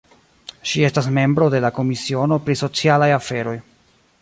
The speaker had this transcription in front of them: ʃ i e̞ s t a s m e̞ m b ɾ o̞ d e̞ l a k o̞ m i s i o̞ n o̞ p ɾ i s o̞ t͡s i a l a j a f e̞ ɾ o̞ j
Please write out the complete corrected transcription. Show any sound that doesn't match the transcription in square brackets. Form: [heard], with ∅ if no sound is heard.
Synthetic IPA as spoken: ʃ i e̞ s t a s m e̞ m b ɾ o̞ d e̞ l a k o̞ m i s i o̞ n o̞ p ɾ i s o̞ t͡s i a l a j a f e̞ ɾ o̞ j